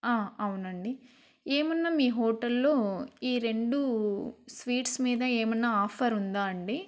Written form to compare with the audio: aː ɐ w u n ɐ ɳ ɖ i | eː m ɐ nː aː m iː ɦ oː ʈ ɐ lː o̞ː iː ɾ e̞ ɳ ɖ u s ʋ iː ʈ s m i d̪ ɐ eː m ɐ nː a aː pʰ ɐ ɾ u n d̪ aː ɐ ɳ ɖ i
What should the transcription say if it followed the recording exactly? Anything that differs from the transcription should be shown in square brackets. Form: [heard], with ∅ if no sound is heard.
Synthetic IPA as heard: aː ɐ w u n ɐ ɳ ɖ i | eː m ɐ nː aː m iː ɦ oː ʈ ɐ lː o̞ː iː ɾ e̞ ɳ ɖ u s ʋ iː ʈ s m [iː] d̪ ɐ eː m ɐ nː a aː pʰ ɐ ɾ u n d̪ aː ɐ ɳ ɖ i

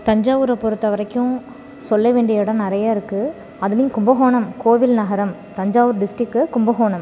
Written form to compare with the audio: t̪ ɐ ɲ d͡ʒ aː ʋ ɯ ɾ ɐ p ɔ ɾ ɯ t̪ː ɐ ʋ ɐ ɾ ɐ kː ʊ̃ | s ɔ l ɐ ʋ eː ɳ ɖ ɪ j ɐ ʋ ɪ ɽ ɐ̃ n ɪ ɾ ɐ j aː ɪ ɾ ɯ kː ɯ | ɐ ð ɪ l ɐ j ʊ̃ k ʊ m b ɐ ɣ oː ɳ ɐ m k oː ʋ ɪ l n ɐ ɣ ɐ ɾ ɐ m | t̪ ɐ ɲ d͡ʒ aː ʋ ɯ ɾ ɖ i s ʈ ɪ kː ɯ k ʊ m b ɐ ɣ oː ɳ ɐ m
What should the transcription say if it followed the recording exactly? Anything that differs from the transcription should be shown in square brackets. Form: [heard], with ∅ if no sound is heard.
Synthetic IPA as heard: t̪ ɐ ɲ d͡ʒ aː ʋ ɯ ɾ ɐ p ɔ ɾ ɯ t̪ː ɐ ʋ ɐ ɾ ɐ kː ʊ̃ | s ɔ [lː] ɐ ʋ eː ɳ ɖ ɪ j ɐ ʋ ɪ ɽ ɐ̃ n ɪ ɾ ɐ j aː ɪ ɾ ɯ kː ɯ | ɐ ð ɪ l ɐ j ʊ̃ k ʊ m b ɐ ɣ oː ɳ ɐ m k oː ʋ ɪ l n ɐ ɣ ɐ ɾ ɐ m | t̪ ɐ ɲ d͡ʒ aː ʋ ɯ ɾ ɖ [ɪ] s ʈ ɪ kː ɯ k ʊ m b ɐ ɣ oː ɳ ɐ m

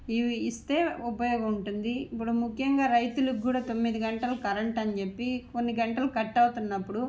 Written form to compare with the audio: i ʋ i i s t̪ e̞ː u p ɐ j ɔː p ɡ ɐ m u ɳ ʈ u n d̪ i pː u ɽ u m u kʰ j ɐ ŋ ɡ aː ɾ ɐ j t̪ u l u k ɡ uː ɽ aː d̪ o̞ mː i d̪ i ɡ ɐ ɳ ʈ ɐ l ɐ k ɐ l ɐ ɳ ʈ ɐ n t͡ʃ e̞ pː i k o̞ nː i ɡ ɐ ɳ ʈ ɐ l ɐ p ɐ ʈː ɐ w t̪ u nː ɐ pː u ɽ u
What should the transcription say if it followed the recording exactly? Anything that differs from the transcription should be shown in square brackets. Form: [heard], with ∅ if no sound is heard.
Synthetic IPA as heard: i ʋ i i s t̪ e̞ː u p ɐ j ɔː [∅] ɡ ɐ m u ɳ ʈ u n d̪ i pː u ɽ u m u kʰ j ɐ ŋ ɡ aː ɾ ɐ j t̪ u l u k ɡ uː ɽ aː [t̪] o̞ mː i d̪ i ɡ ɐ ɳ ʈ ɐ l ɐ k ɐ [ɾ] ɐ ɳ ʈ ɐ n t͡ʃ e̞ pː i k o̞ nː i ɡ ɐ ɳ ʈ ɐ l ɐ [k] ɐ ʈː ɐ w t̪ u nː ɐ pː u ɽ u

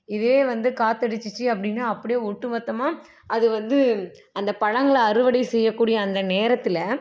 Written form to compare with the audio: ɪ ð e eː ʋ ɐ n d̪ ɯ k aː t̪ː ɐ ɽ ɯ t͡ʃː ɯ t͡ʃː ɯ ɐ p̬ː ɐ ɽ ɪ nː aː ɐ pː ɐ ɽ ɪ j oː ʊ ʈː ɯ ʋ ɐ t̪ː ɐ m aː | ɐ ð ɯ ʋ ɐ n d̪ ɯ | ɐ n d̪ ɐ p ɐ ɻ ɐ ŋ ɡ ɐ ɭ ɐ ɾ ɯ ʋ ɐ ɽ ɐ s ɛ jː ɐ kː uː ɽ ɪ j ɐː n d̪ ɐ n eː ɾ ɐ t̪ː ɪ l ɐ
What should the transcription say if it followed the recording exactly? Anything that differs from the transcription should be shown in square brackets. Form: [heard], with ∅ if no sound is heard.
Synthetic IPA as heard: ɪ ð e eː ʋ ɐ n d̪ ɯ k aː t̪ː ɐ ɽ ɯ t͡ʃː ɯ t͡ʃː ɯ ɐ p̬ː ɐ ɽ ɪ nː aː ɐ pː ɐ ɽ ɪ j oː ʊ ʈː ɯ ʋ ɐ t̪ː ɐ m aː | ɐ ð ɯ ʋ ɐ n d̪ ɯ | ɐ n d̪ ɐ p ɐ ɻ ɐ ŋ ɡ ɐ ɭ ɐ ɾ ɯ ʋ ɐ ɽ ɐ s ɛ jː ɐ kː uː ɽ ɪ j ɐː n d̪ ɐ n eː ɾ ɐ t̪ː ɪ l ɐ

